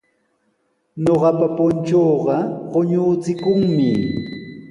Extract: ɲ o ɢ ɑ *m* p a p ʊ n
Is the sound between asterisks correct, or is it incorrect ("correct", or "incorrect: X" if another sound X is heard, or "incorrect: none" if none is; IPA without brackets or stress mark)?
incorrect: none